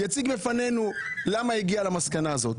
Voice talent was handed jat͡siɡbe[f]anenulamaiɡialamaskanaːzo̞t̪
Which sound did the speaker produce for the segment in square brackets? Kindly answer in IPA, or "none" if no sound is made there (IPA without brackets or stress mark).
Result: f